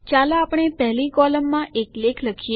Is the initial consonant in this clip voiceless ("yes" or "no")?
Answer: yes